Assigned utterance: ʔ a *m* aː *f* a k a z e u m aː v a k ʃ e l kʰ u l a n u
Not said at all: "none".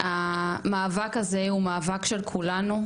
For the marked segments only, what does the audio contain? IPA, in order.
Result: m, v

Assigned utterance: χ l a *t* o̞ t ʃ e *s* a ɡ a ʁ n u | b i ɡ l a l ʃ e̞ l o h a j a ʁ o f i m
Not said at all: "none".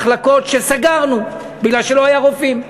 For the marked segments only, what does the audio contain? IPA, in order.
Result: k, s

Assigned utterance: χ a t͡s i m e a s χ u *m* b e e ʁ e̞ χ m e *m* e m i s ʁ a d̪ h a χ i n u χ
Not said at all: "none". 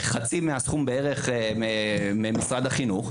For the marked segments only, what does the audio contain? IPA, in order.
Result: m, m

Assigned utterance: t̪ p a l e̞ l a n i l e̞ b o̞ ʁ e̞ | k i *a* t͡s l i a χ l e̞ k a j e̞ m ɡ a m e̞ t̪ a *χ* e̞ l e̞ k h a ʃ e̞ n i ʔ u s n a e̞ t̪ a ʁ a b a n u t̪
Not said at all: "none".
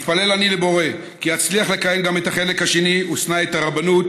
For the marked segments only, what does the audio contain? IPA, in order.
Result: a, χ

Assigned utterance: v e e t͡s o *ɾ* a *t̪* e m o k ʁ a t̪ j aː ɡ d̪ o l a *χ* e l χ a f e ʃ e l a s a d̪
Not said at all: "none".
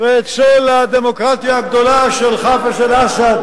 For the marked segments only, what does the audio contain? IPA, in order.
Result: l, d̪, ʃ

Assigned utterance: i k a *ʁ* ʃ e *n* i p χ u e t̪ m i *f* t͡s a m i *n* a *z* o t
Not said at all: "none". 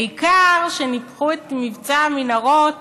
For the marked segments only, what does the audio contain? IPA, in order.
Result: ʁ, n, v, n, ʁ

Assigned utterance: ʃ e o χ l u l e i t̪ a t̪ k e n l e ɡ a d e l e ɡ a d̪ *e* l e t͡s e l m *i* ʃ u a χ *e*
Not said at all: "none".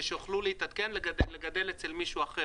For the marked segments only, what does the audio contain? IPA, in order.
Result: e, i, e

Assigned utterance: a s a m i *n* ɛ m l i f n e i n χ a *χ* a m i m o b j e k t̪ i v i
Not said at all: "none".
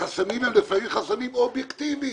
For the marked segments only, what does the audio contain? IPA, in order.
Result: m, s

